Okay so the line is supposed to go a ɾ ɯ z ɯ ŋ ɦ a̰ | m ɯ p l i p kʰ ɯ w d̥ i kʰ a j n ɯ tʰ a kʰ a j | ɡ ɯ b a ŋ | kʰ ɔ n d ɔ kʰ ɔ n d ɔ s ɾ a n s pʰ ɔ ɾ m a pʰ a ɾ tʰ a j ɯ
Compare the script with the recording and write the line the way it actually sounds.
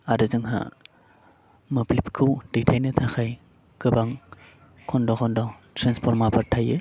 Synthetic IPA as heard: a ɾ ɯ z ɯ ŋ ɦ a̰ | m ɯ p l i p kʰ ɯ w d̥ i tʰ a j n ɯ tʰ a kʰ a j | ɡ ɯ b a ŋ | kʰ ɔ n d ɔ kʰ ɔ n d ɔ t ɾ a n s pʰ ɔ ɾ m a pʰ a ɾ tʰ a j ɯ